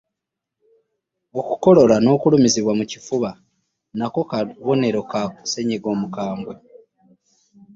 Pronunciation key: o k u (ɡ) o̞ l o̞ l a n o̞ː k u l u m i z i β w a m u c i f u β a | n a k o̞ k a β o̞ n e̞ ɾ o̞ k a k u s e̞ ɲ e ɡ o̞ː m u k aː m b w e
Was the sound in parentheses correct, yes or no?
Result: no